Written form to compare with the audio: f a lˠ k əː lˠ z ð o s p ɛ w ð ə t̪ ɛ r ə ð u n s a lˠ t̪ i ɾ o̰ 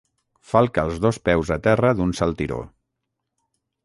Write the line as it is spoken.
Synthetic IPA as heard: f a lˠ k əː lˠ z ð o s p ɛ w z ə t̪ ɛ r ə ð u n s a lˠ t̪ i ɾ o̰